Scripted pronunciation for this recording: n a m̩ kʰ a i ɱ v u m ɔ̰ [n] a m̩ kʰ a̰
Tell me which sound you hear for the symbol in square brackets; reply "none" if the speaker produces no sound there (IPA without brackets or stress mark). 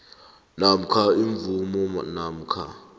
n